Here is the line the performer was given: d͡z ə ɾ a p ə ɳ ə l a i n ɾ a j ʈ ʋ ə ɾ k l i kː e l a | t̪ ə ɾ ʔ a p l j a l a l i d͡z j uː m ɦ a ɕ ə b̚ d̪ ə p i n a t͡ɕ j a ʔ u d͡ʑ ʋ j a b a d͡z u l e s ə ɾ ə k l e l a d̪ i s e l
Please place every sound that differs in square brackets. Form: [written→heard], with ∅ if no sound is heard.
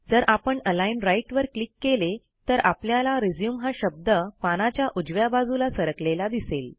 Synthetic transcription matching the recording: d͡z ə ɾ a p ə ɳ ə l a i n ɾ a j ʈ ʋ ə ɾ k l i kː e l [a→e] | t̪ ə ɾ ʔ a p l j a l a [l→ɾ] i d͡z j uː m ɦ a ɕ ə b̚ d̪ ə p [i→a] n a t͡ɕ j a ʔ u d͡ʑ ʋ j a b a d͡z u l [e→a] s ə ɾ ə k l e l a d̪ i s e l